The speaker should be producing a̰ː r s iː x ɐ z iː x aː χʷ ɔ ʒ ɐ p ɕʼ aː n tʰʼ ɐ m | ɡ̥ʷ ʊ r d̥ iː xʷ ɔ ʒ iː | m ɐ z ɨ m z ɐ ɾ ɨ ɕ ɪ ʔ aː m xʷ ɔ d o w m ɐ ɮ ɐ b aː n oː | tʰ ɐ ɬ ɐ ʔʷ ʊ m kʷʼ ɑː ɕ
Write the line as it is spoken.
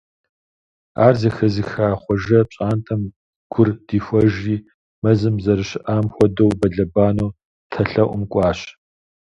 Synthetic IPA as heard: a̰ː r z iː x ɐ z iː x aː χʷ ɔ ʒ ɐ p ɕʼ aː n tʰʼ ɐ m | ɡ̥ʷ ʊ r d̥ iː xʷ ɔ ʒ iː | m ɐ z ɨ m z ɐ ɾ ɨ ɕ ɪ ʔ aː m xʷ ɔ d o w b ɐ ɮ ɐ b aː n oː | tʰ ɐ ɬ ɐ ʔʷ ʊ m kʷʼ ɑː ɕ